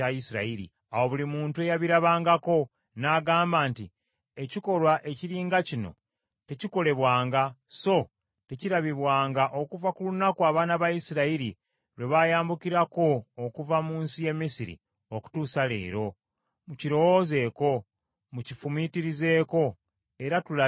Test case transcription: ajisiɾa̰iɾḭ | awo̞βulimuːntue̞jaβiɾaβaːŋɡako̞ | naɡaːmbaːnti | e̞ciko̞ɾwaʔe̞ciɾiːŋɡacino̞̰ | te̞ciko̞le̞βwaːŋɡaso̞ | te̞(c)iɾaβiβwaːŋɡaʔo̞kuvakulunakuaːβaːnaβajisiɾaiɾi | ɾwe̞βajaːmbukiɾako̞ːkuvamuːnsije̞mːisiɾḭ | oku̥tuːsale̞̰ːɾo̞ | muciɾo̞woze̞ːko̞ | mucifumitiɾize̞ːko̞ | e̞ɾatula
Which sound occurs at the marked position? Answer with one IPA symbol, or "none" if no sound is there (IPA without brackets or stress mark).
c